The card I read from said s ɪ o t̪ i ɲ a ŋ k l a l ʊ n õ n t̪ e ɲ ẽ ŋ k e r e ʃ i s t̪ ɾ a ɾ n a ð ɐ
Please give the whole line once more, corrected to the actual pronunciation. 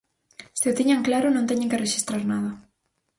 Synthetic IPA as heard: s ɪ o t̪ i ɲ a ŋ k l a ɾ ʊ n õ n t̪ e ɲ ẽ ŋ k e r e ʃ i s t̪ ɾ a ɾ n a ð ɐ